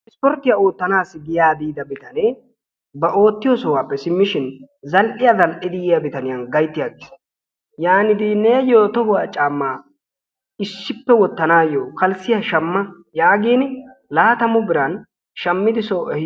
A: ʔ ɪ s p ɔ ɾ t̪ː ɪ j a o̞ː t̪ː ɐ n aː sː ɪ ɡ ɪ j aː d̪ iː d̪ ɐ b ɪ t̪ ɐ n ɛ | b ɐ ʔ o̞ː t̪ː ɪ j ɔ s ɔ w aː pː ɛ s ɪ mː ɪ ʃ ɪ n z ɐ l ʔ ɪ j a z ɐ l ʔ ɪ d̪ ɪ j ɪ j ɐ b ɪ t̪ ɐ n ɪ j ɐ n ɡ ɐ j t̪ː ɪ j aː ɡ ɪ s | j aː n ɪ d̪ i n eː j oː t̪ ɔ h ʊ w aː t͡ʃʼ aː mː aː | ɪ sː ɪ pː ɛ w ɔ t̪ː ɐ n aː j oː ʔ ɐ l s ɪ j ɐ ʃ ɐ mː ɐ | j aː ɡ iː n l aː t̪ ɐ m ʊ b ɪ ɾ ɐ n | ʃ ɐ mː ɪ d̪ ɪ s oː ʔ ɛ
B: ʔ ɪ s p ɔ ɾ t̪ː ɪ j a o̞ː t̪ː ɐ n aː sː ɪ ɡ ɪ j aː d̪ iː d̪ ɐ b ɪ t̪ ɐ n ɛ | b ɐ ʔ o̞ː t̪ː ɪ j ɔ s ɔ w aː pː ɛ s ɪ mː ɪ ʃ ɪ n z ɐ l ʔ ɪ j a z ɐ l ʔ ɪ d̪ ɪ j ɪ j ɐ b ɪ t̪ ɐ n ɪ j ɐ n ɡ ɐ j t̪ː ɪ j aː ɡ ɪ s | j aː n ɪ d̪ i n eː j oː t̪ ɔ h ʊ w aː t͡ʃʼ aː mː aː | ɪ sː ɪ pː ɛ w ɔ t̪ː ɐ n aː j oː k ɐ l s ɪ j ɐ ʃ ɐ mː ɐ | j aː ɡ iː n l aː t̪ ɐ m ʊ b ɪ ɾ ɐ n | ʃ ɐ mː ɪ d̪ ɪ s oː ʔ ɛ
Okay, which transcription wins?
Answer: B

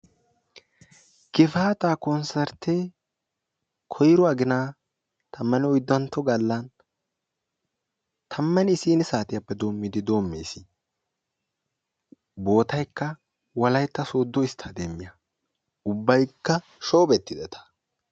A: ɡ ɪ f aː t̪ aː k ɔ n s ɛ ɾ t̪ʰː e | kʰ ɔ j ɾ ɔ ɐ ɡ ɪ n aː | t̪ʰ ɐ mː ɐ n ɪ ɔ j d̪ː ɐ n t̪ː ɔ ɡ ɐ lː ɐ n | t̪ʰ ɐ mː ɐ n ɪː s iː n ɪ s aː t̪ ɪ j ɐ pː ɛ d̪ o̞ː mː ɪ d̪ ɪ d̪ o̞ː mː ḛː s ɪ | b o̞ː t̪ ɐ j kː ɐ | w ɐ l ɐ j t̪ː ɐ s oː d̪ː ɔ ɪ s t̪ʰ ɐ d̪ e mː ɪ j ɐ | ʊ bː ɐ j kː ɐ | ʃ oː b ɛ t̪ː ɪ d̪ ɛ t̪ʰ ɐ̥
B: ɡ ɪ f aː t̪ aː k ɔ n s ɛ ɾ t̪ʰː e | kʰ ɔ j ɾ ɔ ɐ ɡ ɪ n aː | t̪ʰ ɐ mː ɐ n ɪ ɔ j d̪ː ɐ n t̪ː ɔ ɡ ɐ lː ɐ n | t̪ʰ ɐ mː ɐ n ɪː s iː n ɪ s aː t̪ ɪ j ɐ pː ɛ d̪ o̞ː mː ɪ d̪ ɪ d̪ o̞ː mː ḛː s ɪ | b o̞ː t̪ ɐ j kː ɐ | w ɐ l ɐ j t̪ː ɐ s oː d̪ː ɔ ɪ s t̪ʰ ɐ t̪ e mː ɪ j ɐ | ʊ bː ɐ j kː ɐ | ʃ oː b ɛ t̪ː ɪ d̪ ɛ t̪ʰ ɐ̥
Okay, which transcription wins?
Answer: A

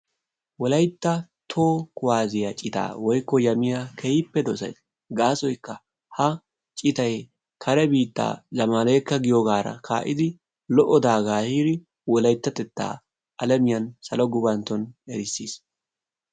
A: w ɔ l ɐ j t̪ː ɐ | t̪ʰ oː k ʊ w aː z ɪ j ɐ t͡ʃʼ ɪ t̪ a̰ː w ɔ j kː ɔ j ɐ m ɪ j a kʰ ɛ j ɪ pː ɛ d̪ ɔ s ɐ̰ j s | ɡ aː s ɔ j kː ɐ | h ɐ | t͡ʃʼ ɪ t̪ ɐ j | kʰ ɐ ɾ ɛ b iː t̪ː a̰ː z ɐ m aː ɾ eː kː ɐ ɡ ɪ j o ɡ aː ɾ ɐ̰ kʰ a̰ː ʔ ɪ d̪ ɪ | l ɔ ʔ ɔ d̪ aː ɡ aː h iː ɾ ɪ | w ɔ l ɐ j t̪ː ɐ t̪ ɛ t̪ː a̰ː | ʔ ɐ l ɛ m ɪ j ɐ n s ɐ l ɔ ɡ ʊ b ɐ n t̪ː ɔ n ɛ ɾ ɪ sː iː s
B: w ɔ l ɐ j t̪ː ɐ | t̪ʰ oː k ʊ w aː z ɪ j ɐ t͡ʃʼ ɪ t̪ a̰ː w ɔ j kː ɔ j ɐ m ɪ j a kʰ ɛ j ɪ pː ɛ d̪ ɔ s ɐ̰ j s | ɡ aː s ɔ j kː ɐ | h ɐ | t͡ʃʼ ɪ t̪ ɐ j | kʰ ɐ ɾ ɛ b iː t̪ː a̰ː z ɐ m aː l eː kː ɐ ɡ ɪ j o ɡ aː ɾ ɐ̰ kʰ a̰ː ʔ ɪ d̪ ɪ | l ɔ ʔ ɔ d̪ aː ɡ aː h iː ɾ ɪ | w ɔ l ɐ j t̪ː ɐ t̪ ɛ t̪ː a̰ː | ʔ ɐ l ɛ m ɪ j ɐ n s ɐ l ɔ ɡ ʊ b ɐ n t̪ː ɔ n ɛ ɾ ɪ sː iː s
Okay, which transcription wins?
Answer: B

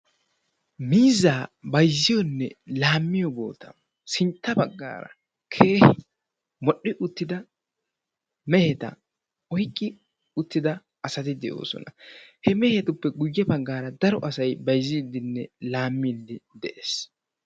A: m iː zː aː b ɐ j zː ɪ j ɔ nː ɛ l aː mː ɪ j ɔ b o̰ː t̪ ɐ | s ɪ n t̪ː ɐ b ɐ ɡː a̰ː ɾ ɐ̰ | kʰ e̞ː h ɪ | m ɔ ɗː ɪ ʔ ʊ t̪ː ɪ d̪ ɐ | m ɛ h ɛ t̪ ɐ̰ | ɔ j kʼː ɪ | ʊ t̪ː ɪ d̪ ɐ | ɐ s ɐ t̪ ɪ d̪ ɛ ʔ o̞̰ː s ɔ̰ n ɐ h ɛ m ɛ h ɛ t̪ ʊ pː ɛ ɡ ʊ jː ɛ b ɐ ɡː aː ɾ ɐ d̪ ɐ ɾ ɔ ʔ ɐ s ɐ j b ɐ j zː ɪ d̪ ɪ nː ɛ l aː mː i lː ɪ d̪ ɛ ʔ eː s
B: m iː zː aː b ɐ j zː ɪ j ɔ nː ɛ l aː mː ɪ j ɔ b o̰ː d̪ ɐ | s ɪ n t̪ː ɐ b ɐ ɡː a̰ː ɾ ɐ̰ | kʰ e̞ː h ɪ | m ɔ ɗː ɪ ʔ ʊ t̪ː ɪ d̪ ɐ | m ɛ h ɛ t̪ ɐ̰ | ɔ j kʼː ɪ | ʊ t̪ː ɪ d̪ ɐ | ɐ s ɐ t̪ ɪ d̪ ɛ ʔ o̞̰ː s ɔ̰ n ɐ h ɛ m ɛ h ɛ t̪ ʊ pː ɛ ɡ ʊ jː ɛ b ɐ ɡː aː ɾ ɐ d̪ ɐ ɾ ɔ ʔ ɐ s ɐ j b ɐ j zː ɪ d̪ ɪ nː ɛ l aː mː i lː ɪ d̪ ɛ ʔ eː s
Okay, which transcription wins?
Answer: A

